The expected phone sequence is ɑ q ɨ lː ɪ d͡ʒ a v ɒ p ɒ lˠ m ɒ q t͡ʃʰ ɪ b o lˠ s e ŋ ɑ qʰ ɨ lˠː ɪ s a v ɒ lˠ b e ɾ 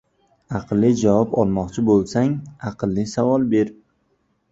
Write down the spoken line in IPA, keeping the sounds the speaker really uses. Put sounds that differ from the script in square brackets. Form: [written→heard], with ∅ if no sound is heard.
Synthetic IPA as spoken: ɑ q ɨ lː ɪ d͡ʒ a v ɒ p ɒ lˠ m ɒ q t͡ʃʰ ɪ b o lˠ s [e→a] ŋ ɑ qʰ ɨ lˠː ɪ s a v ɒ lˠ b e ɾ

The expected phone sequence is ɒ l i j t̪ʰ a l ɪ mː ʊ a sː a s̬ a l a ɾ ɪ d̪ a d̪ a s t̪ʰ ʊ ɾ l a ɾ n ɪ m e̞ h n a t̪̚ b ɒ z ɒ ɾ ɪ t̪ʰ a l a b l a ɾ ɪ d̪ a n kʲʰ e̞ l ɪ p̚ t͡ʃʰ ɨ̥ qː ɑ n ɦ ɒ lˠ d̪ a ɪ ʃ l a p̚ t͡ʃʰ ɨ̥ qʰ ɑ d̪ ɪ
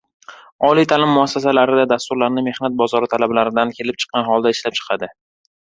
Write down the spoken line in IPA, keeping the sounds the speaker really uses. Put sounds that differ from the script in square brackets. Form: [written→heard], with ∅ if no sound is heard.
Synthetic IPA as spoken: ɒ l i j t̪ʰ a l ɪ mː ʊ a sː a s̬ a l a ɾ ɪ d̪ a d̪ a s [t̪ʰ→t̪] ʊ ɾ l a ɾ n ɪ m e̞ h n a t̪̚ b ɒ z ɒ ɾ ɪ t̪ʰ a l a b l a ɾ ɪ d̪ a n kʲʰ e̞ l ɪ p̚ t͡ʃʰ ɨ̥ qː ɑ n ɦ ɒ lˠ d̪ a ɪ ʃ l a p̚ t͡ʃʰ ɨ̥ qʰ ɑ d̪ ɪ

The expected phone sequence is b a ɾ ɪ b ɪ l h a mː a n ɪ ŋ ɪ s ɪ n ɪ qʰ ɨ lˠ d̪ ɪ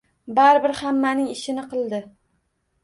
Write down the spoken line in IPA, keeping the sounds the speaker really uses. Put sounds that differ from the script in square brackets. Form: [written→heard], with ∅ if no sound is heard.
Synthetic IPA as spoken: b a ɾ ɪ b ɪ [l→ɾ] h a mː a n ɪ ŋ ɪ [s→ʃ] ɪ n ɪ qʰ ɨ lˠ d̪ ɪ

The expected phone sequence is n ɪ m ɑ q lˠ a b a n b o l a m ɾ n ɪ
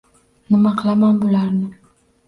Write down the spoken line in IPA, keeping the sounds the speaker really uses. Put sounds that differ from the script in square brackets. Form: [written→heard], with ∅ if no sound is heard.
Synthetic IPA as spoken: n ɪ m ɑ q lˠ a [b→m] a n b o l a [m→∅] ɾ n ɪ

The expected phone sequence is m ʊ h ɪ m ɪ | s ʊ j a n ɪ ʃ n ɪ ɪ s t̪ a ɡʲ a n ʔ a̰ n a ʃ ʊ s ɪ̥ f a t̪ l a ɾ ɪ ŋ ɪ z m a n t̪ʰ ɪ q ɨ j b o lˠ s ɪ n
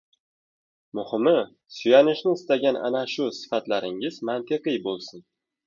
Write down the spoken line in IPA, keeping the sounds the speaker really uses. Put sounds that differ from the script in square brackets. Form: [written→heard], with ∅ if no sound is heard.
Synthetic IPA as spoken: m ʊ h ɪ m ɪ | s ʊ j a n ɪ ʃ n ɪ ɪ s t̪ a ɡʲ a n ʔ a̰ n a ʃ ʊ s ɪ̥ f a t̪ l a ɾ ɪ ŋ ɪ z m a n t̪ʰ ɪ q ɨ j b o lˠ s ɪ n

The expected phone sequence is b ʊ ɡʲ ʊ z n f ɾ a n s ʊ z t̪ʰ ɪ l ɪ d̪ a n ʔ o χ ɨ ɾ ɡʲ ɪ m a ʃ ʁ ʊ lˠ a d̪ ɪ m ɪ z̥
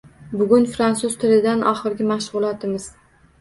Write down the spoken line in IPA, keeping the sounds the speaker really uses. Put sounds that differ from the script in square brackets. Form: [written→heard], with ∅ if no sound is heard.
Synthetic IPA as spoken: b ʊ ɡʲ ʊ [z→∅] n f ɾ a n s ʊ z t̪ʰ ɪ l ɪ d̪ a n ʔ [o→ɒ] χ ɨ ɾ ɡʲ ɪ m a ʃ ʁ ʊ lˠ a [d̪→t̪] ɪ m ɪ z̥

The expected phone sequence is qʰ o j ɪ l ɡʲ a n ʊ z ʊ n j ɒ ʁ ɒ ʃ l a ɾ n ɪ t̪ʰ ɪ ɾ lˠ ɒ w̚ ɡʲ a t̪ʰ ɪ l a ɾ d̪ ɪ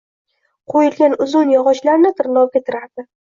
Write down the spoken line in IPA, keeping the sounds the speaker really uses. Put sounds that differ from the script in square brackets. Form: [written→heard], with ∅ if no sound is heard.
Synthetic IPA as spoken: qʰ o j ɪ l ɡʲ a n ʊ z ʊ n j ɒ ʁ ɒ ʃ l a ɾ n ɪ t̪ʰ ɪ ɾ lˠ ɒ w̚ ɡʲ a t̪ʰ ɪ [l→ɾ] a ɾ d̪ ɪ

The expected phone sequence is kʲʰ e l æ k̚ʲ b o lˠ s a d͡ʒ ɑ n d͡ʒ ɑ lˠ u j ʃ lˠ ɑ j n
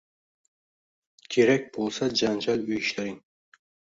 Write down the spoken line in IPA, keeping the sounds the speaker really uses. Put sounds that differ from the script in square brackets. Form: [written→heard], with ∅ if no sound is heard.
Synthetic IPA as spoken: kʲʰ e [l→ɾ] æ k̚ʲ b o lˠ s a d͡ʒ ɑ n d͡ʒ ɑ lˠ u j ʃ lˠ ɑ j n

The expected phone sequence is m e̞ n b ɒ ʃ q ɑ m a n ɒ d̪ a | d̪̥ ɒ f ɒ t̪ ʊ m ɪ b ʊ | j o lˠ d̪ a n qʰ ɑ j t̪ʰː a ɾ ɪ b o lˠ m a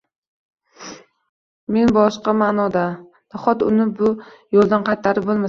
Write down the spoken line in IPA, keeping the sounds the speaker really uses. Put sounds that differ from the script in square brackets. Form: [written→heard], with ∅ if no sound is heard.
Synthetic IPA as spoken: m e̞ n b ɒ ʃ q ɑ m a n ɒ d̪ a | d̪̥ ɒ [f→χ] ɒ t̪ ʊ [m→n] ɪ b ʊ | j o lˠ d̪ a n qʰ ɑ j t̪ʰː a ɾ ɪ b o lˠ m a

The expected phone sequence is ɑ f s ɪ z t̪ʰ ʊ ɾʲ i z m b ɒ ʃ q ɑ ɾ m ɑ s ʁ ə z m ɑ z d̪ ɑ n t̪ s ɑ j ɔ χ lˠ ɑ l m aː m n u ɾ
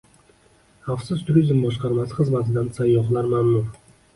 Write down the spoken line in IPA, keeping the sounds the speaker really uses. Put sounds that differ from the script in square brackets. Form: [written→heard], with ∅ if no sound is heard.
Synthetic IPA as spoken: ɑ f s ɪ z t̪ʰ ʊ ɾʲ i z m b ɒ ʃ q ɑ ɾ m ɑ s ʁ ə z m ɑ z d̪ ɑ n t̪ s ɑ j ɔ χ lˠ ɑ [l→ɾ] m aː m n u ɾ

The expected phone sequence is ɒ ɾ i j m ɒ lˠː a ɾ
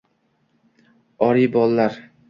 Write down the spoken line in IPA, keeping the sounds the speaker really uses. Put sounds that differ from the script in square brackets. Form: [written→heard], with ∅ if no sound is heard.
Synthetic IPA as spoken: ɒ ɾ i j [m→b] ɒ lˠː a ɾ

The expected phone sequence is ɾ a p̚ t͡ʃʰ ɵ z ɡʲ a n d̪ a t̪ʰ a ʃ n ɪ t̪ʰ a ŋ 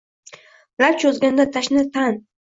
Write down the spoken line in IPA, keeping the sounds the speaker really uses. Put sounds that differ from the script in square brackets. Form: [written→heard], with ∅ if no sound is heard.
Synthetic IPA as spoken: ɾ a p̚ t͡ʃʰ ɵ z ɡʲ a n d̪ a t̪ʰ a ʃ n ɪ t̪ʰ a [ŋ→n]

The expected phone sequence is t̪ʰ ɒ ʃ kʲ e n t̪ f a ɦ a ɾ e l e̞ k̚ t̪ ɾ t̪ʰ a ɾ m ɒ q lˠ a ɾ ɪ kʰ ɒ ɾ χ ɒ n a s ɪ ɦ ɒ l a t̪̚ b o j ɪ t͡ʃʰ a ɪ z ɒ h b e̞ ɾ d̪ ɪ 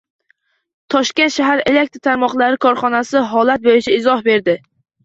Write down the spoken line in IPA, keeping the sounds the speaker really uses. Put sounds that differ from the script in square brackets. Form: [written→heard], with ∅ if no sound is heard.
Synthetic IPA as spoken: t̪ʰ ɒ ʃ kʲ e n t̪ [f→ʃ] a ɦ a ɾ e l e̞ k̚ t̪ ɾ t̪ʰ a ɾ m ɒ q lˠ a ɾ ɪ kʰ ɒ ɾ χ ɒ n a s ɪ ɦ ɒ l a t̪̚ b o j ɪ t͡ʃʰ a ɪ z ɒ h b e̞ ɾ d̪ ɪ

